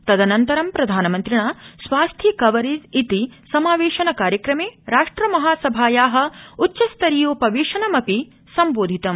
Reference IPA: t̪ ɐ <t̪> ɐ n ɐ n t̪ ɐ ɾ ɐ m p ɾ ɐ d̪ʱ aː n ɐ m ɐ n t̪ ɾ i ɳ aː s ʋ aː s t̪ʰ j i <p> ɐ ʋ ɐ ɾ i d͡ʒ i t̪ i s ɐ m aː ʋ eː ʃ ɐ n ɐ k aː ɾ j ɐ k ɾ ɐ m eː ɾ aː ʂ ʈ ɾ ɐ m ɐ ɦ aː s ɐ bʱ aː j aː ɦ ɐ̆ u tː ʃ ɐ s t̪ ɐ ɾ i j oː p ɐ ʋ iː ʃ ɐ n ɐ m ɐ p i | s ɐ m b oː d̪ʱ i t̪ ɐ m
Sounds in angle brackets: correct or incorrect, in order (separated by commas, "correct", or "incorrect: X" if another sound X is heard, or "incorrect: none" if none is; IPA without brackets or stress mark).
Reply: incorrect: d̪, incorrect: k